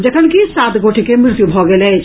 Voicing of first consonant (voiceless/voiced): voiced